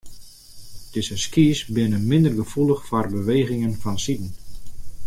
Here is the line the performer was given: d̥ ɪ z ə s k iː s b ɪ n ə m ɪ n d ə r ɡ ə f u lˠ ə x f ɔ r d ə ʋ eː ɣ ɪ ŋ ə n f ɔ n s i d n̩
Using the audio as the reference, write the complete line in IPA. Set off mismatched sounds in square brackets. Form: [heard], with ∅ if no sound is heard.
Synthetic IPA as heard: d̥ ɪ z ə s k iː s b ɪ n ə m ɪ n d ə r ɡ ə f u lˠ ə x f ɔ r [b] ə ʋ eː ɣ ɪ ŋ ə n f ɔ n s i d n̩